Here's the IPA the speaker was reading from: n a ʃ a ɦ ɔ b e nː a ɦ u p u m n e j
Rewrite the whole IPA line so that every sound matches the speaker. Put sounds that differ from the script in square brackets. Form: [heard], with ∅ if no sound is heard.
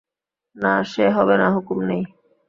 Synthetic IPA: n a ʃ [e] ɦ ɔ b e [n] a ɦ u [k] u m n e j